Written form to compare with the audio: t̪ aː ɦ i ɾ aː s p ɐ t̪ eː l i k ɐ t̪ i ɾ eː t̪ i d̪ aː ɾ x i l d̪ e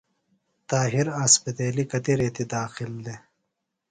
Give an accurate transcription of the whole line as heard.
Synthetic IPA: t̪ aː ɦ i ɾ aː s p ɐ t̪ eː l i k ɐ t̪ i ɾ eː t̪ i d̪ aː x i l d̪ e